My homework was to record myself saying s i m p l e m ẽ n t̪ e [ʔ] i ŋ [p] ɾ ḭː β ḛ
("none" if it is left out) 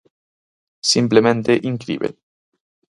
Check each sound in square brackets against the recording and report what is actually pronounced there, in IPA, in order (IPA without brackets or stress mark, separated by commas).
ʔ, k